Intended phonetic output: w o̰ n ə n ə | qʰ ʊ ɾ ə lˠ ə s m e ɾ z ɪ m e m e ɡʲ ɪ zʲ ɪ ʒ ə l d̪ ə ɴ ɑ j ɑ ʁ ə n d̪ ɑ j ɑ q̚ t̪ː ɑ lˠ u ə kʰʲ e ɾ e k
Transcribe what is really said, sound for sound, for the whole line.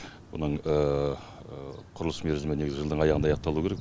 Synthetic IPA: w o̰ n ə ɴ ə | qʰ ʊ ɾ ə lˠ ə s m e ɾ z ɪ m e n e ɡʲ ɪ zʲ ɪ ʒ ə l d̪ ə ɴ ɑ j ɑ ʁ ə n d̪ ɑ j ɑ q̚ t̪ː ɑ lˠ u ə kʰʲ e ɾ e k